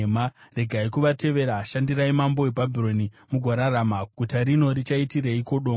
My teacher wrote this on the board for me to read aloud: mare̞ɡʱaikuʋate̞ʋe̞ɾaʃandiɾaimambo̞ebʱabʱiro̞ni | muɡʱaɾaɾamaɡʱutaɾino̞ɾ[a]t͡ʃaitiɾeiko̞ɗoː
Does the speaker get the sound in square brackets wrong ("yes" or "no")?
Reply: yes